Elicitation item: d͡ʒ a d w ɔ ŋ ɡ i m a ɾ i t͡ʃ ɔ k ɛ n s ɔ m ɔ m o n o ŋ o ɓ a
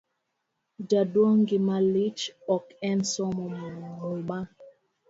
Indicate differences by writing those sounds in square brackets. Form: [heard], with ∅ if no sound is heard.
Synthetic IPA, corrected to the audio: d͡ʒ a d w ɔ ŋ ɡ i m a [l] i t͡ʃ ɔ k ɛ n s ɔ m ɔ m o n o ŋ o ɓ a